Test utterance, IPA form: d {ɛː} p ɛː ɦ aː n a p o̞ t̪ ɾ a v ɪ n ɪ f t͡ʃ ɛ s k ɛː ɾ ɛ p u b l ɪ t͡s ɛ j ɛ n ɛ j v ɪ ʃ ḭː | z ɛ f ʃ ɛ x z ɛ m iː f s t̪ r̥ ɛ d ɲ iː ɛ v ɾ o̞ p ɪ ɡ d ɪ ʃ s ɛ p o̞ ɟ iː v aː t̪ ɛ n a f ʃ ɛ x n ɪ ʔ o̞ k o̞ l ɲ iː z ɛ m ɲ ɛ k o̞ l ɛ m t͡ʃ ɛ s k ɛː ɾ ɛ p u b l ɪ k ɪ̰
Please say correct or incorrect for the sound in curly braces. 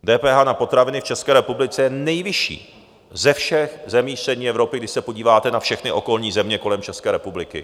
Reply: correct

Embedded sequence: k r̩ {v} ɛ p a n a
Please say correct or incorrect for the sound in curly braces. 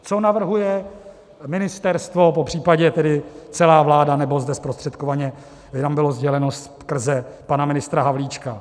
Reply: incorrect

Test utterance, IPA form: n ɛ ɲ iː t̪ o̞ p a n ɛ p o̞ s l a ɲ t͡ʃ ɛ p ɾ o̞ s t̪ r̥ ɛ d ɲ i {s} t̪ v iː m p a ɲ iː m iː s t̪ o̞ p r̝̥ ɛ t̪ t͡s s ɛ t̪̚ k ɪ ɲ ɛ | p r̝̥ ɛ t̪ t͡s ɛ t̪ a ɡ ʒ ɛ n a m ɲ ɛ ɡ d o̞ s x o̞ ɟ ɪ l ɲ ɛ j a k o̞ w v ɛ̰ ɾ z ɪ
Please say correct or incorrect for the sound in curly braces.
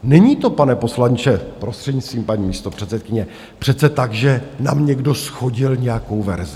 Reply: correct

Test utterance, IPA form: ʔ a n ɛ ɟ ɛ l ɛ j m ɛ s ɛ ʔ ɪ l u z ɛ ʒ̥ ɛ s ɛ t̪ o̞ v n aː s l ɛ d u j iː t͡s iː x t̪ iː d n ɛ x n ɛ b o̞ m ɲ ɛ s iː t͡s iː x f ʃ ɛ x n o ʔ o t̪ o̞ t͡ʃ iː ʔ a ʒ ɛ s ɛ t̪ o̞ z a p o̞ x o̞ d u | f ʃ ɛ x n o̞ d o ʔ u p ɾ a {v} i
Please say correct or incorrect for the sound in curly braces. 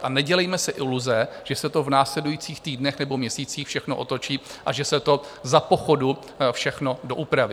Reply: correct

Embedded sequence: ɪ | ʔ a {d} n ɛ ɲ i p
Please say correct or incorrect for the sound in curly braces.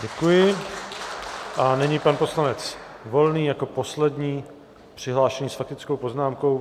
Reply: incorrect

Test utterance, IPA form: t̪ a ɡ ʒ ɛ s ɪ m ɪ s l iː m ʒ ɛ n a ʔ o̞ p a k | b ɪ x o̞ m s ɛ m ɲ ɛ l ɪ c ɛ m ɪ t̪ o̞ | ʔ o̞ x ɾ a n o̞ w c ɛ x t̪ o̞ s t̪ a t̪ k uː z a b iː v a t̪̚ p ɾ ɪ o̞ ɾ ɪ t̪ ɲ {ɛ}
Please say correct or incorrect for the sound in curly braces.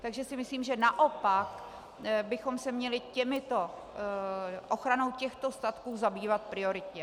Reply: correct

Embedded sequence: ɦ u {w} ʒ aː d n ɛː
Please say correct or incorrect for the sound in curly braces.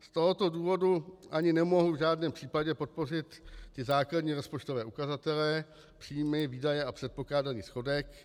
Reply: incorrect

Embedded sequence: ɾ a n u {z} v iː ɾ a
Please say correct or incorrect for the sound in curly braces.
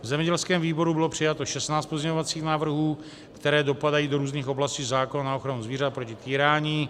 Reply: correct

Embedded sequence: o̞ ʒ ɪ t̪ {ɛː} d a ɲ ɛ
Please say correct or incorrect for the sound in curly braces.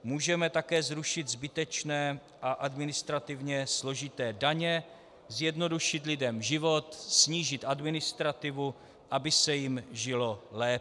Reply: correct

